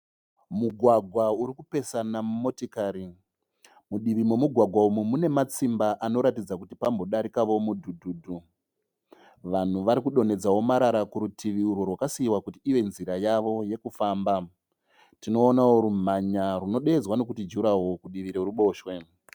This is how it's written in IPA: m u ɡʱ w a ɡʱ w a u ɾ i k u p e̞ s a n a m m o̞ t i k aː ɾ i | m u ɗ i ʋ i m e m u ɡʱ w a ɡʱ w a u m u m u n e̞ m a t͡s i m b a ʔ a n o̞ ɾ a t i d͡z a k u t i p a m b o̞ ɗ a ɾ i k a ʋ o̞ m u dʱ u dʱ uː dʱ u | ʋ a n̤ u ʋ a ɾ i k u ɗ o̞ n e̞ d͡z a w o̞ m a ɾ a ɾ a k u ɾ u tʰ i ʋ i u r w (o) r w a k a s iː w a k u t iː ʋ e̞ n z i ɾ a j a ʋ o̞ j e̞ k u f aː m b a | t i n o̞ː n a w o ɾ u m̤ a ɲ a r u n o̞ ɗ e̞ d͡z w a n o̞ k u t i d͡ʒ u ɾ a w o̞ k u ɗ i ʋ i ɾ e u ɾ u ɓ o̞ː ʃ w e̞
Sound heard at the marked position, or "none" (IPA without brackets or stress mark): o